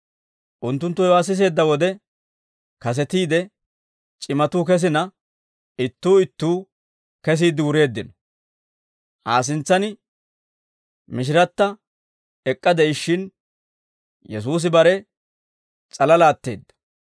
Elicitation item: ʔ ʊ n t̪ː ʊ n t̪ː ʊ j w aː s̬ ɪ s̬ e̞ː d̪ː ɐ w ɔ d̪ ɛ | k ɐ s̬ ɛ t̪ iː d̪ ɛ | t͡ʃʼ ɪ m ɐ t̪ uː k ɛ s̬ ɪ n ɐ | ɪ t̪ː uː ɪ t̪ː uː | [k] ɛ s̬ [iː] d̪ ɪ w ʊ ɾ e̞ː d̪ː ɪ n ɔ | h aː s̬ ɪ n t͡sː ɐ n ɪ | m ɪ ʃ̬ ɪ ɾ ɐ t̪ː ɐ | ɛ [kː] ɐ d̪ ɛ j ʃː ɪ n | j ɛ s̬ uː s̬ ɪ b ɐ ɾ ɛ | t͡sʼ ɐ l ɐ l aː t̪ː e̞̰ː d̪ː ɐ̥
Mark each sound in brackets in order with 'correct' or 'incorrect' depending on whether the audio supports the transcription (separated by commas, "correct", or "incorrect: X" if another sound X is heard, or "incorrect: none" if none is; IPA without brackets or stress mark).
correct, correct, incorrect: kʼː